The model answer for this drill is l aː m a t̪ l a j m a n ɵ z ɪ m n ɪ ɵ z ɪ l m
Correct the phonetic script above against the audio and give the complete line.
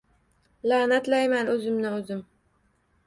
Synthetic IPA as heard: l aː n a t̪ l a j m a n ɵ z ɪ m n ɪ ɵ z ɪ m

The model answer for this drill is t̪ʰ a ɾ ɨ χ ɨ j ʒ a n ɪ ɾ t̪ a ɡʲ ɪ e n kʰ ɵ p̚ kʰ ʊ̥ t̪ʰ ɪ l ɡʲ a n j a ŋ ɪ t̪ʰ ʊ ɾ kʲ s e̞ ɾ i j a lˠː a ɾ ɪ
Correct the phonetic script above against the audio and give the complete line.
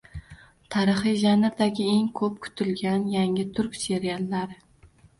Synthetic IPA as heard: t̪ʰ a ɾ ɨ χ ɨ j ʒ a n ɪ ɾ d̪ a ɡʲ ɪ e ŋ kʰ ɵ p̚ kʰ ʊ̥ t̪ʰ ɪ l ɡʲ a n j a ŋ ɪ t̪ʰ ʊ ɾ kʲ s e̞ ɾ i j a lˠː a ɾ ɪ

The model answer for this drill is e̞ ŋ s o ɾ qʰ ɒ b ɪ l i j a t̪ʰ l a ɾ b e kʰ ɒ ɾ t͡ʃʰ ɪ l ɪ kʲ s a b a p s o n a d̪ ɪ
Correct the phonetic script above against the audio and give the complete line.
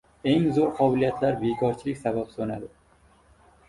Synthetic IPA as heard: e̞ ŋ z o ɾ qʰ ɒ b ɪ l i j a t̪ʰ l a ɾ b e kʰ ɒ ɾ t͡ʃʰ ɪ l ɪ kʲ s a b a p s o n a d̪ ɪ

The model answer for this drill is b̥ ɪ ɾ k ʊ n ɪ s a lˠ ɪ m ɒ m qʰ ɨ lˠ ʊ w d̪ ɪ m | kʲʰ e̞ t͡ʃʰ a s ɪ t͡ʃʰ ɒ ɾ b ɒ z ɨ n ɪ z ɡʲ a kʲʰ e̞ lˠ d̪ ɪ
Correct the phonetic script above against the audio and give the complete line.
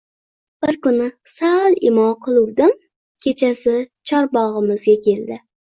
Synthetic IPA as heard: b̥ ɪ ɾ k ʊ n ɪ s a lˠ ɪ m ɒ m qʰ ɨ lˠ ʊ w d̪ ɪ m | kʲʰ e̞ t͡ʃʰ a s ɪ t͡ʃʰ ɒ ɾ b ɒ ʁ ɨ m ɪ z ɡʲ a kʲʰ e̞ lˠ d̪ ɪ

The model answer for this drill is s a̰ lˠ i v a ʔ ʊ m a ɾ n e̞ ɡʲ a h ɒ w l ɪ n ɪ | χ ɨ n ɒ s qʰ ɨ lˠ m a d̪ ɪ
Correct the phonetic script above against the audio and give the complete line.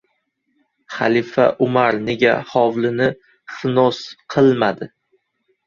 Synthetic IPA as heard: χ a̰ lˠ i f a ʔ ʊ m a ɾ n e̞ ɡʲ a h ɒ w l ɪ n ɪ | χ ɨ n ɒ s qʰ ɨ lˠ m a d̪ ɪ

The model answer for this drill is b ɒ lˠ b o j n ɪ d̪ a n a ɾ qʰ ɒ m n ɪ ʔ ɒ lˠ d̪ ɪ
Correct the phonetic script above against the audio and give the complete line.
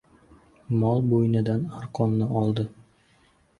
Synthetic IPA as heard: m ɒ lˠ b o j n ɪ d̪ a n a ɾ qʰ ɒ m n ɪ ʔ ɒ lˠ d̪ ɪ

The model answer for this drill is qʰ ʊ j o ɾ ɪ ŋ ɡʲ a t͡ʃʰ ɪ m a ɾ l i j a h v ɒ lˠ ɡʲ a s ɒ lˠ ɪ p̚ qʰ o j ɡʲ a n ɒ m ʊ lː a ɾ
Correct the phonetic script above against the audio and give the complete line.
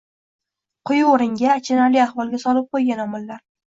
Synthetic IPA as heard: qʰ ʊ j o ɾ ɪ ŋ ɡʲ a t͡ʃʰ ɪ n a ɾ l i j a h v ɒ lˠ ɡʲ a s ɒ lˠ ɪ p̚ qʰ o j ɡʲ a n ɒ m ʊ lː a ɾ

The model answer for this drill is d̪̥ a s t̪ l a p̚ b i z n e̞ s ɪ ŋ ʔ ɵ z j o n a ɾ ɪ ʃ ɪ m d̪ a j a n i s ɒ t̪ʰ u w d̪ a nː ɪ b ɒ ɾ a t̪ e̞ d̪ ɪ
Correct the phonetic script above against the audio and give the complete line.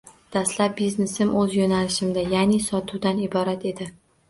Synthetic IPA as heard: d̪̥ a s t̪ l a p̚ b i z n e̞ s ɪ m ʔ ɵ z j o n a l ɪ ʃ ɪ m d̪ a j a n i s ɒ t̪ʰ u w d̪ a n ɪ b ɒ ɾ a t̪ e̞ d̪ ɪ

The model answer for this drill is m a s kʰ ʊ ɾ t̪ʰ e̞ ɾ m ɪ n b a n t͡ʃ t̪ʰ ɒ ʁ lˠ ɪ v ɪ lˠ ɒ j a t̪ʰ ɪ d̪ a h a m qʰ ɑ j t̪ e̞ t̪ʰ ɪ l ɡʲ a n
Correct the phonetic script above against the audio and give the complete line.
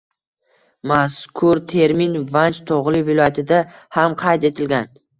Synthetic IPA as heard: m a s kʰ ʊ ɾ t̪ʰ e̞ ɾ m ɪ n v a n t͡ʃ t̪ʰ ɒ ʁ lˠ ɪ v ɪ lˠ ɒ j a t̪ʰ ɪ d̪ a h a m qʰ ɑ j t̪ e̞ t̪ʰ ɪ l ɡʲ a n

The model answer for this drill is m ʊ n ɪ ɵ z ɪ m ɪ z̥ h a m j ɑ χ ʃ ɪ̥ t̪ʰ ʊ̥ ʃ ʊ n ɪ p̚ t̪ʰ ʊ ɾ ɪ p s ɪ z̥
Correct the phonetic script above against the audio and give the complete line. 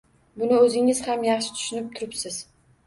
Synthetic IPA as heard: b ʊ n ɪ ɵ z ɪ ŋ ɪ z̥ h a m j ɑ χ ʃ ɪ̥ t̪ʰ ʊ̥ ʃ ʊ n ɪ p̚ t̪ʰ ʊ ɾ ɪ p s ɪ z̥

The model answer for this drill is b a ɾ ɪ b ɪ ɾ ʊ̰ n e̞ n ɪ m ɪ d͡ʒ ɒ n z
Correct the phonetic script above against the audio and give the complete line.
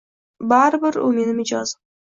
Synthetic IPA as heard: b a ɾ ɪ b ɪ ɾ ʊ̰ m e̞ n ɪ m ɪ d͡ʒ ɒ z

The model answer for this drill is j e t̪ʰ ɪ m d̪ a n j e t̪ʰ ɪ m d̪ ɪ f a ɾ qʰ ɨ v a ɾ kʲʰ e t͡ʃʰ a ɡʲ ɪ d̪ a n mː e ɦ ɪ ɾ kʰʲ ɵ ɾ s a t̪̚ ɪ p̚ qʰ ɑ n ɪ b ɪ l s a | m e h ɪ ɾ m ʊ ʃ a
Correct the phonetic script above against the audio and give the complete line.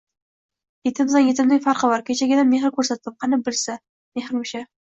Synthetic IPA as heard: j e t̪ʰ ɪ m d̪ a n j e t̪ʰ ɪ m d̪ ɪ f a ɾ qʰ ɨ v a ɾ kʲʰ e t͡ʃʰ a ɡʲ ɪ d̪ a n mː e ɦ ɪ ɾ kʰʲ ɵ ɾ s a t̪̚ ɪ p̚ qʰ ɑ n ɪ b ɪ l s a | m e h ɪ ɾ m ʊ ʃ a

